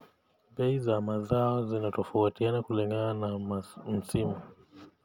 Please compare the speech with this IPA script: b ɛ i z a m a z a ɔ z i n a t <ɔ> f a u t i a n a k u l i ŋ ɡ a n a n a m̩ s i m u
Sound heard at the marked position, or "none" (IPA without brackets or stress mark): ɔ